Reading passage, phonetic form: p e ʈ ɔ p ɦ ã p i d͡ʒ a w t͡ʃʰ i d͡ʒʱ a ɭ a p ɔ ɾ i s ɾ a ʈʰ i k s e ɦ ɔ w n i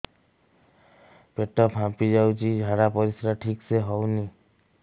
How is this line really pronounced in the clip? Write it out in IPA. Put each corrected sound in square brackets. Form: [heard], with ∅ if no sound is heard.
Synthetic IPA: p e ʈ ɔ p ɦ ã p i d͡ʒ a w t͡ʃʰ i d͡ʒʱ a [ɽ] a p ɔ ɾ i s ɾ a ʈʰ i k s e ɦ ɔ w n i

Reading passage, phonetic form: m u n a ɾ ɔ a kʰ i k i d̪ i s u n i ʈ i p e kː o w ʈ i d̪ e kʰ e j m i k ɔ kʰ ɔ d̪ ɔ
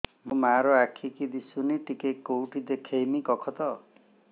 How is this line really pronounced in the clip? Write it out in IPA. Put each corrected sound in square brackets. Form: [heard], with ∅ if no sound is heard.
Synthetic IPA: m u [m] a ɾ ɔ a kʰ i k i d̪ i s u n i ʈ i [k] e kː o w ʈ i d̪ e kʰ e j m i k ɔ kʰ ɔ [t̪] ɔ

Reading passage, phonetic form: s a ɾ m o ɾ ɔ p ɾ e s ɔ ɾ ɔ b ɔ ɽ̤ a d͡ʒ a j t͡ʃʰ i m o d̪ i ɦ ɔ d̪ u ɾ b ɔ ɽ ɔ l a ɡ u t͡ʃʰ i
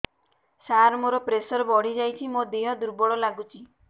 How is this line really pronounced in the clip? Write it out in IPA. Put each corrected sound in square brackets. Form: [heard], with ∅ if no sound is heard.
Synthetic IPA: s a ɾ m o ɾ ɔ p ɾ e s ɔ ɾ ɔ b ɔ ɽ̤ [i] d͡ʒ a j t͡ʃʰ i m o d̪ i ɦ ɔ d̪ u ɾ b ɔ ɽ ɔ l a ɡ u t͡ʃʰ i

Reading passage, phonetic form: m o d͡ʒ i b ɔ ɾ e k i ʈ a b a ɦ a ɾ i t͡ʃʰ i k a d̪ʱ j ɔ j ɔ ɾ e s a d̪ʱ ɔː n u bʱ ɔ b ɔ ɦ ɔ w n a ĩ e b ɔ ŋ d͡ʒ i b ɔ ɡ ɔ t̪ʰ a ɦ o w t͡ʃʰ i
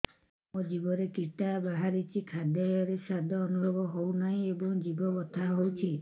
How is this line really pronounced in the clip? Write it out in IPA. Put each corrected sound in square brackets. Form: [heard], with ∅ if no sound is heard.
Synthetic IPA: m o d͡ʒ i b ɔ ɾ e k i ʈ a b a ɦ a ɾ i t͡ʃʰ i [kʰ] a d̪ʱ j ɔ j ɔ ɾ e s a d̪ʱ ɔː n u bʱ ɔ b ɔ ɦ [o] w n a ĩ e b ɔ ŋ d͡ʒ i b ɔ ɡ ɔ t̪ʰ a ɦ o w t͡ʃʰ i

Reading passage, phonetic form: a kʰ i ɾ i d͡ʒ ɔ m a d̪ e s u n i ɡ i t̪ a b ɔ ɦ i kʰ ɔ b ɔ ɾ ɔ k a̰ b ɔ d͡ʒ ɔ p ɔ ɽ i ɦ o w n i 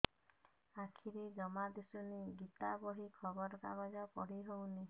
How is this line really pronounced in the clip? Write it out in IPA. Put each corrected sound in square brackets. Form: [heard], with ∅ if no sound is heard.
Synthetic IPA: a kʰ i ɾ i d͡ʒ ɔ m a d̪ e s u n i ɡ i t̪ a b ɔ ɦ i kʰ ɔ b ɔ ɾ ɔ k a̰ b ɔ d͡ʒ ɔ p ɔ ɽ i ɦ o w n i

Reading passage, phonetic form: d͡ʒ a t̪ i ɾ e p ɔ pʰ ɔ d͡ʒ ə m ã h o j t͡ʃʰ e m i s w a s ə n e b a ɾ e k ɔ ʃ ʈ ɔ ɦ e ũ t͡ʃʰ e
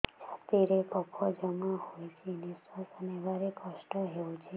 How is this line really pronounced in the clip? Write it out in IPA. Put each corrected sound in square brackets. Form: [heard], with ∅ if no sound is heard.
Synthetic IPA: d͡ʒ a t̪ i ɾ e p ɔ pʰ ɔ d͡ʒ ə m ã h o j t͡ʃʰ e [n] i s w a s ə n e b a ɾ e k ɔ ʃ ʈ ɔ ɦ e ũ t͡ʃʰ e

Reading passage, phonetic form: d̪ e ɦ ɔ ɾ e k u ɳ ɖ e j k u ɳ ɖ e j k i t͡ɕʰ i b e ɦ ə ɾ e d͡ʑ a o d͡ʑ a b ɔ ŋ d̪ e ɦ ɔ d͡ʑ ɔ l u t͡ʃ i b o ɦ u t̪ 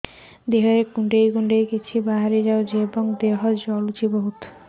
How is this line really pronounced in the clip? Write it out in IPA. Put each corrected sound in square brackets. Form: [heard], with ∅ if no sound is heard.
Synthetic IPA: d̪ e ɦ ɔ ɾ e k u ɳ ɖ e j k u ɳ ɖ e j k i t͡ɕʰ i b [a] ɦ [a] ɾ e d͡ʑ a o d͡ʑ [e] b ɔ ŋ d̪ e ɦ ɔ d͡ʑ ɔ l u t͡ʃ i b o ɦ u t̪

